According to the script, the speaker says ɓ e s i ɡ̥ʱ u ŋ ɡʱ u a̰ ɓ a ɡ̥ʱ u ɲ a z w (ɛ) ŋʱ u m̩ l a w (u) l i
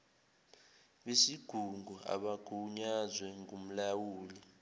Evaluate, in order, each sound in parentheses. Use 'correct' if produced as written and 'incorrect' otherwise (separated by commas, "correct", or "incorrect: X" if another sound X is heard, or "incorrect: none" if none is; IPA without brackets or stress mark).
correct, incorrect: uː